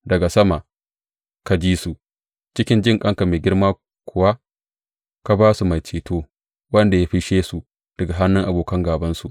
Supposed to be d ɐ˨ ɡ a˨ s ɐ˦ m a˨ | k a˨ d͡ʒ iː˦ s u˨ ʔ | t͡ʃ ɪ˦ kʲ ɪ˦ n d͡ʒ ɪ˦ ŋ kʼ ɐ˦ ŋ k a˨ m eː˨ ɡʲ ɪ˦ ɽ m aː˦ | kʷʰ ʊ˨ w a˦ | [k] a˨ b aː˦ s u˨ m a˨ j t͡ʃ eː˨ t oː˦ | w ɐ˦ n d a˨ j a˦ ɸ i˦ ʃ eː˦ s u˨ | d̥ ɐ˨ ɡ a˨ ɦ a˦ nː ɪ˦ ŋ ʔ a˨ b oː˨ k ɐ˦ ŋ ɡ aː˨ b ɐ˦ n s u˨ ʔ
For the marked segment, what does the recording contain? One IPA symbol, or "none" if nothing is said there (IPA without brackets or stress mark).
k